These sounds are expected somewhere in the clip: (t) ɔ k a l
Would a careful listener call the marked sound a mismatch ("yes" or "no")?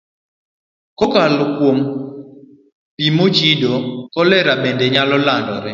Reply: yes